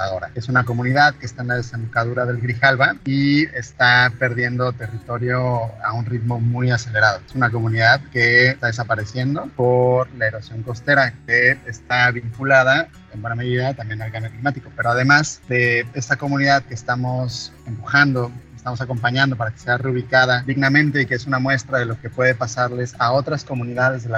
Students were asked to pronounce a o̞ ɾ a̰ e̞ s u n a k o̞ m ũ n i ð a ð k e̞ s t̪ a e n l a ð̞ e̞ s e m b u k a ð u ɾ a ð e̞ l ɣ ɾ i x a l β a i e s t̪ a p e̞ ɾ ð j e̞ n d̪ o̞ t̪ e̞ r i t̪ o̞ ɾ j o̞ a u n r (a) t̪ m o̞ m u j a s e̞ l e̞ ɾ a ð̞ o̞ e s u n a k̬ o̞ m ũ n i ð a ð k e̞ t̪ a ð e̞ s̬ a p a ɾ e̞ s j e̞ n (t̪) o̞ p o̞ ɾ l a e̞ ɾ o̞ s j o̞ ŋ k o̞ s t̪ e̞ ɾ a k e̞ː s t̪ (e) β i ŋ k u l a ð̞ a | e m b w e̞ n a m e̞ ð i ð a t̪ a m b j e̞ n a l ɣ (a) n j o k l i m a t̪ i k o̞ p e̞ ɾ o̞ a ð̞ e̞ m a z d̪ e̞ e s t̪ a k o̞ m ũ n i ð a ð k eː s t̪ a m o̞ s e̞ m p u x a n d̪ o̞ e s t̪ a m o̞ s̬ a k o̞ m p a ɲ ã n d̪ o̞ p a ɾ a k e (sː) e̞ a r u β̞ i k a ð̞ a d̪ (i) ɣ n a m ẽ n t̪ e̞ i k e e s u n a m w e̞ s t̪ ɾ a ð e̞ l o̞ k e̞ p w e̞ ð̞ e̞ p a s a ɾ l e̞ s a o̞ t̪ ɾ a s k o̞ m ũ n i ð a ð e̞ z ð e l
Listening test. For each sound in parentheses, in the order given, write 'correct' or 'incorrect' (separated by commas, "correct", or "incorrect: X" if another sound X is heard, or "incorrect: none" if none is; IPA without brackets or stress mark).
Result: incorrect: i, incorrect: d̪, incorrect: a, correct, incorrect: s, correct